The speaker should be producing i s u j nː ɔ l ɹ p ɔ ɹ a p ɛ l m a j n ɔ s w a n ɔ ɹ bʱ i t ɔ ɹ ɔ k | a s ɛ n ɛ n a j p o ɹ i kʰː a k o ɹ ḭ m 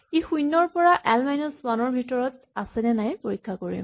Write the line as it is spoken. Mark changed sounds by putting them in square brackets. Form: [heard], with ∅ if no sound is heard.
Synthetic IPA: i [x] u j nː ɔ [∅] ɹ p ɔ ɹ a [ʔ] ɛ l m a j n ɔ s w a n ɔ ɹ bʱ i t ɔ ɹ ɔ [t] | a s ɛ n ɛ n a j p o ɹ i kʰː a k o ɹ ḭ m